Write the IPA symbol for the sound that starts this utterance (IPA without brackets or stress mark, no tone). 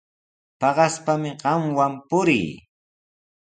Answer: p